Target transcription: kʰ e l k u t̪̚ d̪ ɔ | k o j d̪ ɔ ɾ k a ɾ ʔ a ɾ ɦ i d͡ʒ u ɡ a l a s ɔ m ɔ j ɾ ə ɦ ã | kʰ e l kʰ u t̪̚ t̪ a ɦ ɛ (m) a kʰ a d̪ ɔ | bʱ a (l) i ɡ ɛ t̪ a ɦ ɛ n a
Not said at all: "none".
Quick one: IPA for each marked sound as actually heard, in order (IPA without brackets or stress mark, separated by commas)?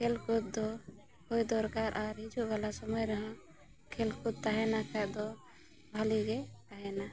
n, l